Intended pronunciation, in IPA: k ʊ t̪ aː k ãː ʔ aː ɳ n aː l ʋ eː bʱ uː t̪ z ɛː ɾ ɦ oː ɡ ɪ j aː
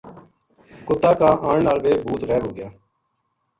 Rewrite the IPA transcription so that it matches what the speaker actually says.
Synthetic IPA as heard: k ʊ t̪ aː k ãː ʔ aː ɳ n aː l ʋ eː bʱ uː t̪ ɣ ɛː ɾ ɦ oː ɡ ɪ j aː